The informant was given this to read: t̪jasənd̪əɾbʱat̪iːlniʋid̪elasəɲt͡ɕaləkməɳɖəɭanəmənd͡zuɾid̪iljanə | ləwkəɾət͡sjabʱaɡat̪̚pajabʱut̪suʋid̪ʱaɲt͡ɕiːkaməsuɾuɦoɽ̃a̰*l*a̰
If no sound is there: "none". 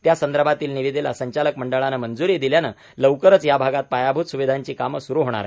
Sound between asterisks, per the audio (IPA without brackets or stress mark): ɾ